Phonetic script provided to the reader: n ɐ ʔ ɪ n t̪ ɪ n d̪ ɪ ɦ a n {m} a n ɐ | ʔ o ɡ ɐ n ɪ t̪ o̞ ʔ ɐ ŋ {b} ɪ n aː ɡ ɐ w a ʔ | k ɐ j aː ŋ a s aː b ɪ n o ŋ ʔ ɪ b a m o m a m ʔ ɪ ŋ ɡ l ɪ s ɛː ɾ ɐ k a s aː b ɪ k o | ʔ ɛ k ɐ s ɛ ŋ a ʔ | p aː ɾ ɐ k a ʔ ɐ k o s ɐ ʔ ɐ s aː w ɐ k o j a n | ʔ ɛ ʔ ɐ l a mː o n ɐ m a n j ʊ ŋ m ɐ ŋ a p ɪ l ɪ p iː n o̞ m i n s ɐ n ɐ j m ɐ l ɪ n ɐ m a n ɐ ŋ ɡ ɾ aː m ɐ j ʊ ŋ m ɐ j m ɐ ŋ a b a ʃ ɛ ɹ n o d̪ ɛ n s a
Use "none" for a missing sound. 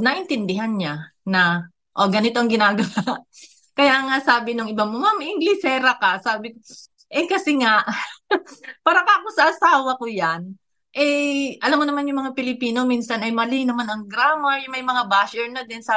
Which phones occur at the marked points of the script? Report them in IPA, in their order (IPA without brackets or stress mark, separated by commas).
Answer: ɲ, ɡ